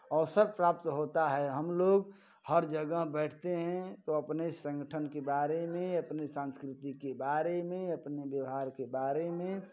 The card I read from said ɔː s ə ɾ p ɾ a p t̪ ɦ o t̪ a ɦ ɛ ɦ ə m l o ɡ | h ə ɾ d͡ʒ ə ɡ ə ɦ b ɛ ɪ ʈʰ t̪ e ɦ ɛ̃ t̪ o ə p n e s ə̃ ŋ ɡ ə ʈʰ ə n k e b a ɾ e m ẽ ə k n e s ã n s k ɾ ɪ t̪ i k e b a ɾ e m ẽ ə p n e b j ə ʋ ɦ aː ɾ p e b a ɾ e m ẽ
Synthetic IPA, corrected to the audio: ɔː s ə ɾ p ɾ a p t̪ ɦ o t̪ a ɦ ɛ ɦ ə m l o ɡ | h ə ɾ d͡ʒ ə ɡ ə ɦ b ɛ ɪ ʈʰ t̪ e ɦ ɛ̃ t̪ o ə p n e s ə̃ ŋ ɡ ə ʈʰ ə n k e b a ɾ e m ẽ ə p n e s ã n s k ɾ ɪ t̪ i k e b a ɾ e m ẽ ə p n e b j ə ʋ ɦ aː ɾ k e b a ɾ e m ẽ